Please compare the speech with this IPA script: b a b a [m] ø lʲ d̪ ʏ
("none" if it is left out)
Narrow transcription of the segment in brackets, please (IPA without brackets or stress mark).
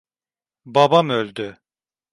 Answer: m